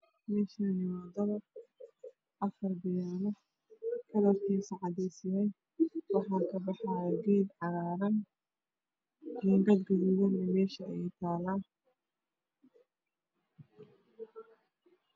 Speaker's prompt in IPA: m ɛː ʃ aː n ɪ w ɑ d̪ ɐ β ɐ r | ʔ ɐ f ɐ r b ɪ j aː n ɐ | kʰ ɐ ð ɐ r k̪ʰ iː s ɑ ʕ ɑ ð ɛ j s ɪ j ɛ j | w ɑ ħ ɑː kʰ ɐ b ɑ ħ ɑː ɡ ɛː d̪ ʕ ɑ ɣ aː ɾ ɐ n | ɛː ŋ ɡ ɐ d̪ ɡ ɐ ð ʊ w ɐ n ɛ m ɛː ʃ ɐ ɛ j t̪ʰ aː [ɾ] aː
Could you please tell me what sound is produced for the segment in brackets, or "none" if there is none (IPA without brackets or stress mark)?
l